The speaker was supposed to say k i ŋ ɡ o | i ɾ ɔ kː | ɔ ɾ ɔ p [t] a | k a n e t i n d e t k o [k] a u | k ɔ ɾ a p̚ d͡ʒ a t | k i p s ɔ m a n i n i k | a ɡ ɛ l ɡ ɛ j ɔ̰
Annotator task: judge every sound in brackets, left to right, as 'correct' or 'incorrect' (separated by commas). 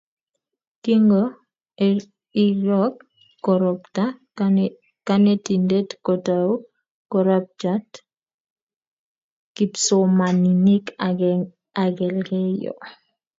correct, incorrect